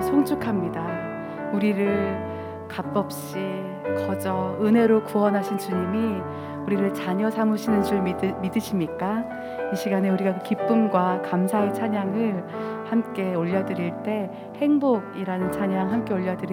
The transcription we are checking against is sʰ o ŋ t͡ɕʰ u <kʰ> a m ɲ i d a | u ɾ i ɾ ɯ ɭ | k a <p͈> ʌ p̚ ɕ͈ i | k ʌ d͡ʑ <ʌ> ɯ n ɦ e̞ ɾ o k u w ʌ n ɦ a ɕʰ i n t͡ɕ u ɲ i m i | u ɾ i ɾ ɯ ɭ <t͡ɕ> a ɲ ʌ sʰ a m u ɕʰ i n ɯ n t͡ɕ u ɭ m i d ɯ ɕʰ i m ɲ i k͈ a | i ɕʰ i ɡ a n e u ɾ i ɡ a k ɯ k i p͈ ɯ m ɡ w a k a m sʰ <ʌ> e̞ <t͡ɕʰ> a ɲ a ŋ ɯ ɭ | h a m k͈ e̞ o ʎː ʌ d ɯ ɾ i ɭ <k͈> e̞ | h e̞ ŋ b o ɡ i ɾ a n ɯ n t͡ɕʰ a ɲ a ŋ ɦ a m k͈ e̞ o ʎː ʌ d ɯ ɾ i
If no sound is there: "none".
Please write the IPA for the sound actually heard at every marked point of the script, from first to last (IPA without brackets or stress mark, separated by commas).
kʰ, p͈, ʌ, t͡ɕ, a, t͡ɕʰ, t͈